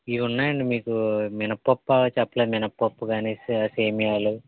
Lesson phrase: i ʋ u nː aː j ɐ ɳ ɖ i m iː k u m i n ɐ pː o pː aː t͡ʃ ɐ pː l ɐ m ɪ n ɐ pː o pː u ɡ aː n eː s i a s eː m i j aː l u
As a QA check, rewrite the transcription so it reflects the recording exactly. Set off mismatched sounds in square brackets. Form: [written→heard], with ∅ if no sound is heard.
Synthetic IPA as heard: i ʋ u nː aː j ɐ ɳ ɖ i m iː k u m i n ɐ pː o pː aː t͡ʃ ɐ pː l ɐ m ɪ n ɐ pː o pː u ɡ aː n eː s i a s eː m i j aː l u